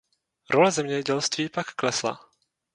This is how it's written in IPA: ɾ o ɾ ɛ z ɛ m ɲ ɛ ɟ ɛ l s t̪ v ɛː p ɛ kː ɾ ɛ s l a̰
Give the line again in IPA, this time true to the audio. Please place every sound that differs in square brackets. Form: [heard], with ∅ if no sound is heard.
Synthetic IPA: ɾ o [l] ɛ z ɛ m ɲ ɛ ɟ ɛ l s t̪ v [iː] p [a] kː [l] ɛ s l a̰